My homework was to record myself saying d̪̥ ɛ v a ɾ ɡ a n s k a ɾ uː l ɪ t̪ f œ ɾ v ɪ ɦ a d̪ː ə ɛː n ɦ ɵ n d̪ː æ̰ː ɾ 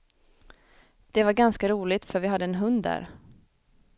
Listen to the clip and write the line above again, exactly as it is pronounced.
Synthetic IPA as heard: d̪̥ ɛ v a ɾ ɡ a n s k a ɾ uː l ɪ t̪ f œ ɾ v ɪ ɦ a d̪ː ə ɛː n ɦ ɵ n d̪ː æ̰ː ɾ